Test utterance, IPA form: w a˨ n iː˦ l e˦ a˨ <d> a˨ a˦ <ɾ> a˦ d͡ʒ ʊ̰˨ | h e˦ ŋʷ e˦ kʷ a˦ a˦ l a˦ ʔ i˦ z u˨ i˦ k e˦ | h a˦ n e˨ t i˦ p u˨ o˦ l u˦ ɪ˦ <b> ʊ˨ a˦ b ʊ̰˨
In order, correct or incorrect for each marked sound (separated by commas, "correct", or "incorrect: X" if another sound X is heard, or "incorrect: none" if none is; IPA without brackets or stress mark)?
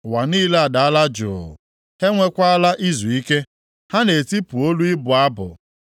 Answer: correct, incorrect: l, correct